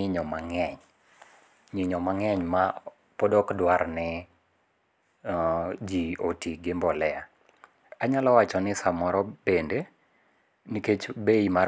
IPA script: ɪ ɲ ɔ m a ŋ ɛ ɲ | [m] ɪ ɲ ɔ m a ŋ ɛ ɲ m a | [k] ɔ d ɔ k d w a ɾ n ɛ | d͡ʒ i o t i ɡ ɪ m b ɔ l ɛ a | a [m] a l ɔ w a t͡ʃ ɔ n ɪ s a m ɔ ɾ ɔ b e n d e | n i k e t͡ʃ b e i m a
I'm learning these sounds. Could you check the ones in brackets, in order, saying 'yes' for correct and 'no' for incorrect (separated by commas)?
no, no, no